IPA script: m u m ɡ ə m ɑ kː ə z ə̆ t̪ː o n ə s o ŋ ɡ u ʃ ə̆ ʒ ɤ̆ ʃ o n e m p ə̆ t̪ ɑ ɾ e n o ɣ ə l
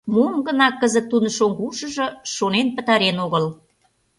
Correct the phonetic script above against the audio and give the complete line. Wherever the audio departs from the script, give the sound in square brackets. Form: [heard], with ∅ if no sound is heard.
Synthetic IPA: m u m ɡ ə [n] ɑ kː ə z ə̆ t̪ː [u] n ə [ʃ] o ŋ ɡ u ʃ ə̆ ʒ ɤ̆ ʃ o n e [n] p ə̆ t̪ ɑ ɾ e n o ɣ ə l